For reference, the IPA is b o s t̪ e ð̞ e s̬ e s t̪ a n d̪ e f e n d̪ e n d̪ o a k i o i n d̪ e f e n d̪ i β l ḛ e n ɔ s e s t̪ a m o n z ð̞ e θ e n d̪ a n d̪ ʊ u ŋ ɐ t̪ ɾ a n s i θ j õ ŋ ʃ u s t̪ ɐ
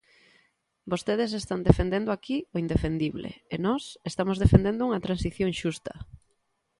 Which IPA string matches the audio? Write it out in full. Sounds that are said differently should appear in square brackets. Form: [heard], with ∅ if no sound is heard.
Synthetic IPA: b o s t̪ e ð̞ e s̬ e s t̪ a n d̪ e f e n d̪ e n d̪ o a k i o i n d̪ e f e n d̪ i β l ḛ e n ɔ s e s t̪ a m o [∅] z ð̞ e [f] e n d̪ [e] n d̪ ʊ u ŋ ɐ t̪ ɾ a n s i θ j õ ŋ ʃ u s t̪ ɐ